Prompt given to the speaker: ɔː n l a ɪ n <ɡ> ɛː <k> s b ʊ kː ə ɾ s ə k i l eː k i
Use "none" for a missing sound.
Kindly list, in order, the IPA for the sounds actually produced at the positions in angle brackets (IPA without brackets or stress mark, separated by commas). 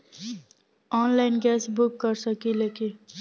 ɡ, none